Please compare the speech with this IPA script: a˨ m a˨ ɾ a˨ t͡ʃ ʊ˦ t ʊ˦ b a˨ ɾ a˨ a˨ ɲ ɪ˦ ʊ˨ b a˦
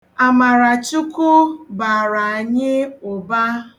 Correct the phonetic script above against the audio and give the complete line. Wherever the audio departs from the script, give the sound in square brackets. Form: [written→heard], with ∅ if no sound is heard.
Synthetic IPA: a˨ m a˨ ɾ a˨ t͡ʃ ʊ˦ [t→k] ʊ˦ b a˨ ɾ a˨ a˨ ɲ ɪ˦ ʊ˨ b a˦